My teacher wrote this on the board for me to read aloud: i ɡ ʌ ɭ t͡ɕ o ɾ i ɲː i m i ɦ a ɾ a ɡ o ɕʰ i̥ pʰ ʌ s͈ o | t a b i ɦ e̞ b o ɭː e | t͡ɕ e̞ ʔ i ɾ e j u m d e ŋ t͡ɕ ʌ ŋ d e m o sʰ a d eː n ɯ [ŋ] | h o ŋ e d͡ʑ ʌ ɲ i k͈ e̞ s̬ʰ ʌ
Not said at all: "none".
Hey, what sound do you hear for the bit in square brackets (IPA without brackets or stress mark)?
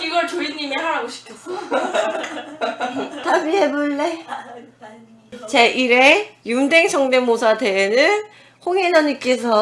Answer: n